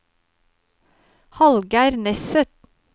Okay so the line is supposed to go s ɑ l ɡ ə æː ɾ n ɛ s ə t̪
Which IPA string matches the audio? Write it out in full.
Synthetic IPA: h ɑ l ɡ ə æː ɾ n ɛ s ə t̪